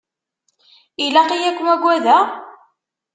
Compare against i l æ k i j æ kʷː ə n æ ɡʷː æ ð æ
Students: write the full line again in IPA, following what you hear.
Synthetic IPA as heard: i l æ q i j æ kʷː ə m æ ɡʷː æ ð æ